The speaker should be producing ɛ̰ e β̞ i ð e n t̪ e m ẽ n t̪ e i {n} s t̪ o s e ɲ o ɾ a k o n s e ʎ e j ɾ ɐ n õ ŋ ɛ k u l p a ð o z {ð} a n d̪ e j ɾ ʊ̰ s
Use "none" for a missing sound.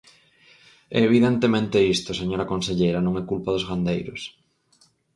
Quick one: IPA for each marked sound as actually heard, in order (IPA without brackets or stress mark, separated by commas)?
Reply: none, ɣ